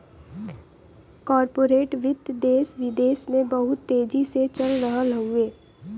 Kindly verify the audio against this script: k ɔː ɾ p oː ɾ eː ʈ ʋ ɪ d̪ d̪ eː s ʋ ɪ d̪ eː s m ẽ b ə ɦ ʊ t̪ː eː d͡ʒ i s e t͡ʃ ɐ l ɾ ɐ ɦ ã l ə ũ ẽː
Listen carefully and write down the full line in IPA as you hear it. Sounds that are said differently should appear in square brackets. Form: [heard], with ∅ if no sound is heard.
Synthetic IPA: k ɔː ɾ p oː ɾ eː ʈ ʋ ɪ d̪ d̪ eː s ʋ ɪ d̪ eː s m ẽ b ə ɦ ʊ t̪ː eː d͡ʒ i s e t͡ʃ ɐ l ɾ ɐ ɦ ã l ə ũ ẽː

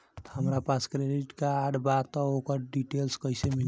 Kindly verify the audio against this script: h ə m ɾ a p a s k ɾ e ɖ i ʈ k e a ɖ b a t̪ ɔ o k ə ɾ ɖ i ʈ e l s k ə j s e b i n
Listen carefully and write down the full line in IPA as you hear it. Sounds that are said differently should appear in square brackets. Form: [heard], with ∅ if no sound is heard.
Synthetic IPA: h ə m ɾ a p a s k ɾ e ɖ i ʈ k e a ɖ b a t̪ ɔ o k ə ɾ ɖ i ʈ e l s k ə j s e [m] i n

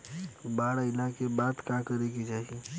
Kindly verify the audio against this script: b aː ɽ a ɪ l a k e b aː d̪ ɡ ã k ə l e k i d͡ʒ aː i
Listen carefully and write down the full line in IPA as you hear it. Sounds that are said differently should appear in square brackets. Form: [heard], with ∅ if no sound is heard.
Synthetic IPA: b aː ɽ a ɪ l a k e b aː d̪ [k] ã k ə [ɾ] e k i d͡ʒ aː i

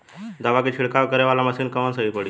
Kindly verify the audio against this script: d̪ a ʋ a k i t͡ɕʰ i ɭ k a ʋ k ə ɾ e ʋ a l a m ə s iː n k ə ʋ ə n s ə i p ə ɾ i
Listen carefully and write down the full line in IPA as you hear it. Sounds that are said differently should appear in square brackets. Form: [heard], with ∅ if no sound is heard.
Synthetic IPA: d̪ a ʋ a k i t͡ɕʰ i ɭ k a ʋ k ə ɾ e ʋ a l a m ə s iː n k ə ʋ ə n s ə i p ə [ɽ] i

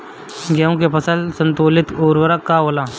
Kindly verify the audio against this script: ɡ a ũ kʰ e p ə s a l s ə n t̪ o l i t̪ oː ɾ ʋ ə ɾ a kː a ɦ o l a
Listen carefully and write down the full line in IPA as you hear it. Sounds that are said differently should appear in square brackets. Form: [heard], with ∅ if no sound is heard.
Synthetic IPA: ɡ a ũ [k] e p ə s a l s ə n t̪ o l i t̪ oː ɾ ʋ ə ɾ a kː a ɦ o l a

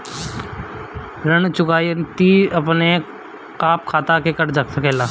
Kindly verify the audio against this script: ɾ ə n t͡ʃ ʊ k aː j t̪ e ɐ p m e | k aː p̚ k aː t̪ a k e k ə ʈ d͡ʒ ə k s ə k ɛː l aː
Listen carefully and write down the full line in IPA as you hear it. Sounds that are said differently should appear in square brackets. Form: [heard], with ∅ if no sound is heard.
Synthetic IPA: ɾ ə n t͡ʃ ʊ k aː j t̪ [i] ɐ p [n] e | k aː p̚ [kʰ] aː t̪ a k e k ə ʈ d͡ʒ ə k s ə k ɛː l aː

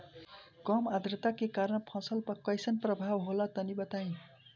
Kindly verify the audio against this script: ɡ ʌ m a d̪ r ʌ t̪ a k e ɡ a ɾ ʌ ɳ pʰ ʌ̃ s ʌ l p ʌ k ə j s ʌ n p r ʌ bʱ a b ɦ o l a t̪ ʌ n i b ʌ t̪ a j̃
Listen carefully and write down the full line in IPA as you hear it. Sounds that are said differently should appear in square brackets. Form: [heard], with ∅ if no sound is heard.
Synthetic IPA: ɡ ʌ m a d̪ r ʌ t̪ a k e [k] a ɾ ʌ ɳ pʰ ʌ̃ s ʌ l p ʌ k [ʌ] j s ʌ n p r ʌ bʱ a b ɦ o l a t̪ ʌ n i b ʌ t̪ a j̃

